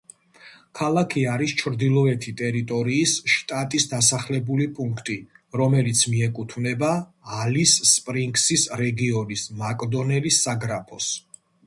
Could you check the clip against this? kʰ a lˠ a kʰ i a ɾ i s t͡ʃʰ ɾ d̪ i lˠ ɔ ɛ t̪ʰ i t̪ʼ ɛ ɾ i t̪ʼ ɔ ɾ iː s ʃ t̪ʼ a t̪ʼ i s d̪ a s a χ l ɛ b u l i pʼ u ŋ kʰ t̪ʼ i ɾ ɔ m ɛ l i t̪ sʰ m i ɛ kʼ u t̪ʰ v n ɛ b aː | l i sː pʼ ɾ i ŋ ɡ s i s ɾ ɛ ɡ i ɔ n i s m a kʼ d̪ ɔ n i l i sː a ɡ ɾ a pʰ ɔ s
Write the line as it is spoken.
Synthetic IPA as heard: kʰ a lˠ a kʰ i a ɾ i s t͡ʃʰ ɾ d̪ i lˠ ɔ ɛ t̪ʰ i t̪ʼ ɛ ɾ i t̪ʼ ɔ ɾ iː s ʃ t̪ʼ a t̪ʼ i s d̪ a s a χ l ɛ b u l i pʼ u ŋ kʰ t̪ʼ i ɾ ɔ m ɛ l i t̪ sʰ m i ɛ kʼ u t̪ʰ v n ɛ b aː | l i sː pʼ ɾ i ŋ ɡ s i s ɾ ɛ ɡ i ɔ n i s m a kʼ d̪ ɔ n ɛ l i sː a ɡ ɾ a pʰ ɔ s